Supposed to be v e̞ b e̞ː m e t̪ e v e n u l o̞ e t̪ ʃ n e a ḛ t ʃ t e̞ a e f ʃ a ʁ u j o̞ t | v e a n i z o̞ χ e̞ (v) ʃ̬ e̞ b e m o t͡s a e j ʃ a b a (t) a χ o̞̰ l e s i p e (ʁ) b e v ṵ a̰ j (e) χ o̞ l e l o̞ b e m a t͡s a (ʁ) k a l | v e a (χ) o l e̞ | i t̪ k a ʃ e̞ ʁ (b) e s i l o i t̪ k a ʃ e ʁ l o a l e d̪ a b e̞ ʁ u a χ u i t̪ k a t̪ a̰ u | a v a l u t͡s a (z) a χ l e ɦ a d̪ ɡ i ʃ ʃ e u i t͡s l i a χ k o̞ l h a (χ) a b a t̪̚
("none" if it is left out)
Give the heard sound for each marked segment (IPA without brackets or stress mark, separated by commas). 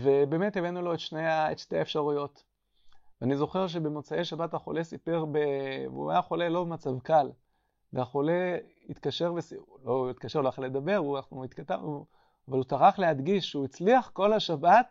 ʁ, t, ʁ, a, v, χ, v, ʁ, ʃ